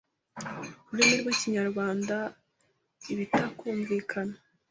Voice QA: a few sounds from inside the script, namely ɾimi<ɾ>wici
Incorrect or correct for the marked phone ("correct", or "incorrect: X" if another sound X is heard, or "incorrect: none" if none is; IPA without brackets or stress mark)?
correct